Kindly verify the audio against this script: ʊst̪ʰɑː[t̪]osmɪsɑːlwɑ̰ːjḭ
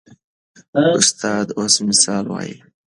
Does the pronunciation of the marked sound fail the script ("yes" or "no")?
yes